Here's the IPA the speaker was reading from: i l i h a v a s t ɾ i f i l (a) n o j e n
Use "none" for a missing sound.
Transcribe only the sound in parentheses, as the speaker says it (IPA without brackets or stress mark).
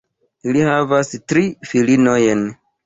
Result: i